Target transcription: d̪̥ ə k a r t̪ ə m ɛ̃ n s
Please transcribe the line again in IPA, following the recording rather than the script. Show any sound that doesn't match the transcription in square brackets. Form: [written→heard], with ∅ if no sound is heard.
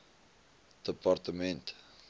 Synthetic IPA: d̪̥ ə [k→p] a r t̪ ə m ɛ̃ n [s→t]